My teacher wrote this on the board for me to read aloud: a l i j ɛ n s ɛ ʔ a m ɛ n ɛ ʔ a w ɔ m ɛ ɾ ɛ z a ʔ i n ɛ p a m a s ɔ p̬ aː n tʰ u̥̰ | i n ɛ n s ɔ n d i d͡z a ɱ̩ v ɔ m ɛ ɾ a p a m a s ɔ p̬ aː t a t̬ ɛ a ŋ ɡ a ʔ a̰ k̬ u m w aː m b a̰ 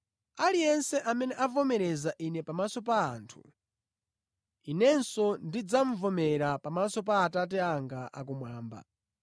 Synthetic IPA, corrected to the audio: a l i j ɛ n s ɛ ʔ a m ɛ n ɛ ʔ a v ɔ m ɛ ɾ ɛ z a ʔ i n ɛ p a m a s ɔ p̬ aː n tʰ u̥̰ | i n ɛ n s ɔ n d i d͡z a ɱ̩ v ɔ m ɛ ɾ a p a m a s ɔ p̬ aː t a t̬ ɛ a ŋ ɡ a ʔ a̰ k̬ u m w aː m b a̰